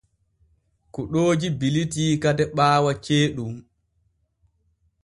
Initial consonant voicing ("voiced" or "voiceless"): voiceless